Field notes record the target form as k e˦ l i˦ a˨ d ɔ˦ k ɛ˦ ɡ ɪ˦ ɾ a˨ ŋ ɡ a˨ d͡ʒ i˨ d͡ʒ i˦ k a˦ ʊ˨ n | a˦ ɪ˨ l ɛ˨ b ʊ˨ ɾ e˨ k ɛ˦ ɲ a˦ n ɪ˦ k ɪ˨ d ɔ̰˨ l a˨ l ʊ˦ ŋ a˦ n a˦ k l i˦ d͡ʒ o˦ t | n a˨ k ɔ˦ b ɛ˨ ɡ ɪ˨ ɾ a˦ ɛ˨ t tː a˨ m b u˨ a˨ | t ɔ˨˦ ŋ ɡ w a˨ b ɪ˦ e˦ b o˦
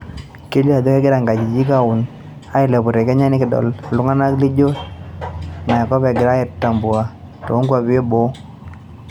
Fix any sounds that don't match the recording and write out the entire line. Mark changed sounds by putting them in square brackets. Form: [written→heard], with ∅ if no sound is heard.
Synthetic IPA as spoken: k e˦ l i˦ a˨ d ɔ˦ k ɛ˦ ɡ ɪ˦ ɾ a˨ ŋ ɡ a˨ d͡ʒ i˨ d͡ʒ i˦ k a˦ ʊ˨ n | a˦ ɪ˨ l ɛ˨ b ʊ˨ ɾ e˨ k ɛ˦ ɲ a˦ n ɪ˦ k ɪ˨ d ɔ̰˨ l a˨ l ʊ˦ ŋ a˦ n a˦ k l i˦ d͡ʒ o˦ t | n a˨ k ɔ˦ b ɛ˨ ɡ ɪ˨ ɾ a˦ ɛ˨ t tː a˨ m b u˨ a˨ | t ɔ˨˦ ŋ ɡ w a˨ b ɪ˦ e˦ b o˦